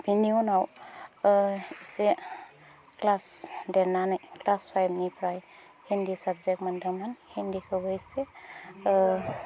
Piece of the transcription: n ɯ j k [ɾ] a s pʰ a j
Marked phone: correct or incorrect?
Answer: incorrect